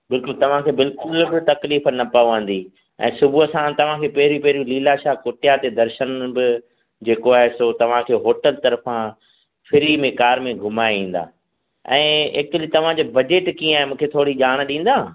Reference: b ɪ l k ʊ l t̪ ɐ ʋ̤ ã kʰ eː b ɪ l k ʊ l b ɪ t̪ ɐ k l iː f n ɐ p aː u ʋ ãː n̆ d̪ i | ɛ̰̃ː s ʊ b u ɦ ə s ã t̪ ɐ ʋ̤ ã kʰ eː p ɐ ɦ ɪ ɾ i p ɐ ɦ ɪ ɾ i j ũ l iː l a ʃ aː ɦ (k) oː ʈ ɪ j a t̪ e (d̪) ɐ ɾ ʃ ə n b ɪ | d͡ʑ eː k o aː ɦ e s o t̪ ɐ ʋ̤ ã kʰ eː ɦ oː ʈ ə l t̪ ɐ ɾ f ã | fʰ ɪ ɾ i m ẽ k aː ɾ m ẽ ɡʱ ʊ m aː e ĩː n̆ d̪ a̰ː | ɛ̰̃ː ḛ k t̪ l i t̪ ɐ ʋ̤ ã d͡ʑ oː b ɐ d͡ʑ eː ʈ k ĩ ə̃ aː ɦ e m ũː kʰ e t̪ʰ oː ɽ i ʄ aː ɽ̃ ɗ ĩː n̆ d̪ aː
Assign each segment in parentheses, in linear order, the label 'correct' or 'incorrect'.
correct, correct

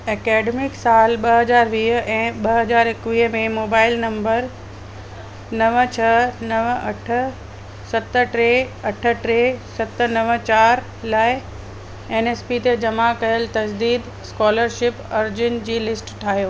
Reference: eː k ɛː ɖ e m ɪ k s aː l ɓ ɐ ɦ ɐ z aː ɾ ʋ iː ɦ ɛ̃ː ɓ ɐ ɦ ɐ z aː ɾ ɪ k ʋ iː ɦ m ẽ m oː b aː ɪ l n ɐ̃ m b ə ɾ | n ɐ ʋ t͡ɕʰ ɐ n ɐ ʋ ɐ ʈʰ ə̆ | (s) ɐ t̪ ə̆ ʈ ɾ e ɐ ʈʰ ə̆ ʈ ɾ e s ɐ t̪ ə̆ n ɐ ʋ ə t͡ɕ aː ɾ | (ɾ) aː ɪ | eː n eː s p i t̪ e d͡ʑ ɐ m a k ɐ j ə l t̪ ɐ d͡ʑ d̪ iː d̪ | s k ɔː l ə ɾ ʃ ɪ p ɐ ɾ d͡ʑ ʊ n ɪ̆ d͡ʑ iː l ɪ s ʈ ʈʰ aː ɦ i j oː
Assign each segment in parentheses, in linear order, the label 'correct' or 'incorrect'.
correct, incorrect

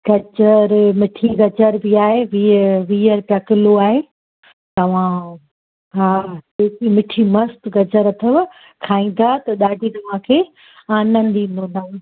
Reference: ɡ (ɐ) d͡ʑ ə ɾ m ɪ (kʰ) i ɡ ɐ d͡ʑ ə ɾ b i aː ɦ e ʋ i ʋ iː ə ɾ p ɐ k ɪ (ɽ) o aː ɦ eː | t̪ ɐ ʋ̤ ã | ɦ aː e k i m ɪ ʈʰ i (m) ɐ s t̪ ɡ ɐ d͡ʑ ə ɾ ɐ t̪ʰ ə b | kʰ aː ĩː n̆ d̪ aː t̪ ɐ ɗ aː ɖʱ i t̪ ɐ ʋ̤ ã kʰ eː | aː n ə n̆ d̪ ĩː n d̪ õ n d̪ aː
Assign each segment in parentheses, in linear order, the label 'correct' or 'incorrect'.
correct, incorrect, incorrect, correct

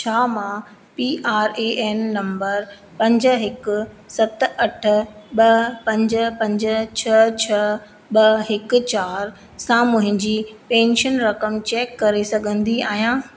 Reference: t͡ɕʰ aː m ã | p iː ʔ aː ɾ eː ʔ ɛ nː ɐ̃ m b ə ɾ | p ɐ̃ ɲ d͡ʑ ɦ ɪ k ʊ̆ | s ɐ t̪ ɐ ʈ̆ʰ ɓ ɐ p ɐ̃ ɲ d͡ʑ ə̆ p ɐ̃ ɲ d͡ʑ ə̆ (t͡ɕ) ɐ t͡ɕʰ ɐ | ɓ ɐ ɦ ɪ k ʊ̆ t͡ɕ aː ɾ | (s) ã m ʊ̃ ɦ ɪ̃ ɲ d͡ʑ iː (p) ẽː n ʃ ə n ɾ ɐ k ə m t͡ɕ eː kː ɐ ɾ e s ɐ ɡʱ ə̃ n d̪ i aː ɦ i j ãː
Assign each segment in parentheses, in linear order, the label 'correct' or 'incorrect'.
incorrect, correct, correct

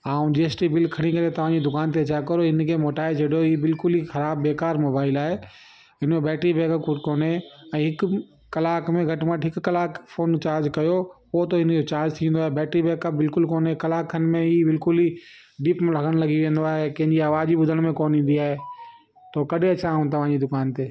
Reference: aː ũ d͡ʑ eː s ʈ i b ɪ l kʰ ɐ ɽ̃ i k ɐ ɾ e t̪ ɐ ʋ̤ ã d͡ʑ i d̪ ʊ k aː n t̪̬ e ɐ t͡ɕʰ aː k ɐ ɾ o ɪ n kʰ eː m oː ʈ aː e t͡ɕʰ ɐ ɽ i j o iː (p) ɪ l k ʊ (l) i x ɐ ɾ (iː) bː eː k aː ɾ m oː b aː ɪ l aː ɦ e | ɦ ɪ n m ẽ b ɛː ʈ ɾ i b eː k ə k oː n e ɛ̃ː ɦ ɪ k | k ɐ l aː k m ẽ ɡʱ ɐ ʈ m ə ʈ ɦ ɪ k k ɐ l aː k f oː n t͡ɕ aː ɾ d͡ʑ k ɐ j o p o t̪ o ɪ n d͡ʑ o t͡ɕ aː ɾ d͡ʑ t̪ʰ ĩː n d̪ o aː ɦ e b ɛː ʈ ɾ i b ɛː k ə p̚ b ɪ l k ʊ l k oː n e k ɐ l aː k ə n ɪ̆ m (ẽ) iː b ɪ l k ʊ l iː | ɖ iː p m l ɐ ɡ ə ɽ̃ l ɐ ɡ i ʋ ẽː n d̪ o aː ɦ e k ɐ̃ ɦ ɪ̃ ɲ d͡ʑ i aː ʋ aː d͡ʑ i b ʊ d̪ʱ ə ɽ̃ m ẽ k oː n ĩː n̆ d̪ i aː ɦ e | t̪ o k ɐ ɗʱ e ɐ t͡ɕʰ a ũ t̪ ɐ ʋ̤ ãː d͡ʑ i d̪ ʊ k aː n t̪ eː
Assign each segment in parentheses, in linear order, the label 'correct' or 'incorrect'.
incorrect, correct, incorrect, correct

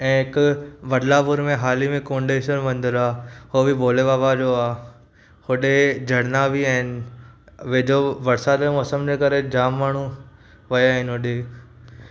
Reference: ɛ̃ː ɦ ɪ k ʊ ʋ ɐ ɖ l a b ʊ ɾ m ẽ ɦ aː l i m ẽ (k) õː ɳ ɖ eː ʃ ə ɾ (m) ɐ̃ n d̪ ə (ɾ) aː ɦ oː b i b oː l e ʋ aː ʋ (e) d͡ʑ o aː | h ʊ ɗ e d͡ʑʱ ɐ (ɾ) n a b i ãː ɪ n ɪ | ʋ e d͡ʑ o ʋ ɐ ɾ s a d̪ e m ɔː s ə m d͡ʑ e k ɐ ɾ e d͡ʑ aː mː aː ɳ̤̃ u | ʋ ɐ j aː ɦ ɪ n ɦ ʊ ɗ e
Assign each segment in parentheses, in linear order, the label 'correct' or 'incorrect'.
correct, correct, correct, incorrect, incorrect

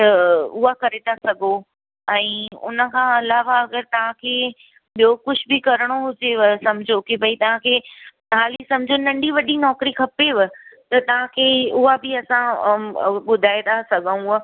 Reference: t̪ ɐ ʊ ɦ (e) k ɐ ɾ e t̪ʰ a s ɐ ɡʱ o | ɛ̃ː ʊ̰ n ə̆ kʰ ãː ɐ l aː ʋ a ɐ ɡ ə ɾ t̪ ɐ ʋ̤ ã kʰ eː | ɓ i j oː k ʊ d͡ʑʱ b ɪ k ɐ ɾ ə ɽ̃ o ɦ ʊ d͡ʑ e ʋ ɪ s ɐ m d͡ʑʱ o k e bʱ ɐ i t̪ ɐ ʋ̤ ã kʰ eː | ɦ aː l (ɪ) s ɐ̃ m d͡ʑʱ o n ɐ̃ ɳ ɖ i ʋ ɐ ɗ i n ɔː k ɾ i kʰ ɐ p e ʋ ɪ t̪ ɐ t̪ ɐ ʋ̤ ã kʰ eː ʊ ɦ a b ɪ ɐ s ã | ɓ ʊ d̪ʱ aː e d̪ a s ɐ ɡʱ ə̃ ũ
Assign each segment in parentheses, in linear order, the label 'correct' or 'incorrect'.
incorrect, incorrect

